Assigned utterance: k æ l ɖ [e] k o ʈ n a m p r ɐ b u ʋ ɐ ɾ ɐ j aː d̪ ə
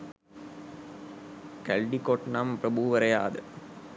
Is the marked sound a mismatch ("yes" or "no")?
yes